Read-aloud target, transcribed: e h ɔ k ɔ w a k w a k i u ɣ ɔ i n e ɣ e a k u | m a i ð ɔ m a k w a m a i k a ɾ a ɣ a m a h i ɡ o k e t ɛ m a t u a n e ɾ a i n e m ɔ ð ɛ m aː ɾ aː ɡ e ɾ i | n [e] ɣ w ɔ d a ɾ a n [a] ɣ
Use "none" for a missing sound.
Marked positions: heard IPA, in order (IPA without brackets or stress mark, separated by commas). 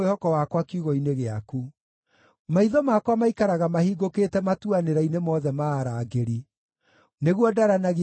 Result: e, a